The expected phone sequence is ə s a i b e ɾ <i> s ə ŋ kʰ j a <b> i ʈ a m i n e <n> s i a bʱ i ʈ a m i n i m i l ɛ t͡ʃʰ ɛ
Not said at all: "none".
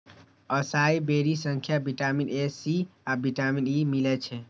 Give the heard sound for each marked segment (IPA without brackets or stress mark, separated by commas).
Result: i, b, none